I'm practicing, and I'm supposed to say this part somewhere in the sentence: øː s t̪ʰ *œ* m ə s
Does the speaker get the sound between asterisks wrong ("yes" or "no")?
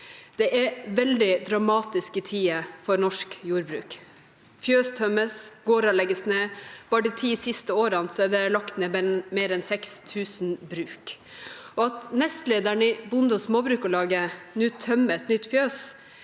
no